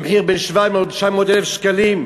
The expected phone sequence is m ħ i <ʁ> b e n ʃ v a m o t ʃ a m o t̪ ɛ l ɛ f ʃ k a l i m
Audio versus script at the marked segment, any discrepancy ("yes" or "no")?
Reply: no